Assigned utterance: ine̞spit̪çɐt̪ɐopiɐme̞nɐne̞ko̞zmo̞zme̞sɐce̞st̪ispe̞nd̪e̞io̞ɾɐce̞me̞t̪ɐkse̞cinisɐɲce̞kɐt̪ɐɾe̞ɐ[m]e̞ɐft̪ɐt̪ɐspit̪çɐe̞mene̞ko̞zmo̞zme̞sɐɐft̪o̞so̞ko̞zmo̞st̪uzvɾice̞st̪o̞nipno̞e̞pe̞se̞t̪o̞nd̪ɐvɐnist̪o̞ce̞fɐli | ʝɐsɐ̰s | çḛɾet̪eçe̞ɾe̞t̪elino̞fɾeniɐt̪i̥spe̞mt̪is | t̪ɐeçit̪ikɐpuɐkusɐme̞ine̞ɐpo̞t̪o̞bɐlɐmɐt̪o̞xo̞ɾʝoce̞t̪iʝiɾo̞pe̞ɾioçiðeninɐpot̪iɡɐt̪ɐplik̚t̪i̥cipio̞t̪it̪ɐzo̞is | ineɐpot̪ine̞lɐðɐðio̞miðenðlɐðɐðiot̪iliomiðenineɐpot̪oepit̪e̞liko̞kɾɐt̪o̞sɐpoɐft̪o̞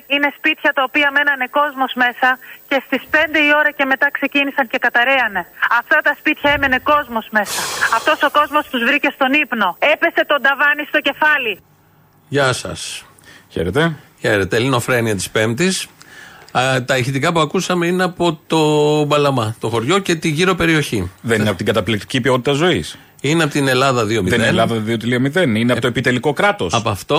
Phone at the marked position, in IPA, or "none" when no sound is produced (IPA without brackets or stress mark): n